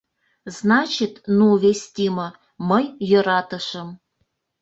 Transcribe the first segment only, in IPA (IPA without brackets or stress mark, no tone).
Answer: z